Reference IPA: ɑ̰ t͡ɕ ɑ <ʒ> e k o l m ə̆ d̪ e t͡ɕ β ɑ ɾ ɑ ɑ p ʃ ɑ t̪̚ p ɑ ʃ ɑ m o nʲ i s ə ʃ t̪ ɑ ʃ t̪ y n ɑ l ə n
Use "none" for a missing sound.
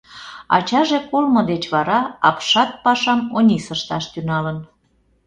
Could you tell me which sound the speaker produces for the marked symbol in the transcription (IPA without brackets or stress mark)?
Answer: ʒ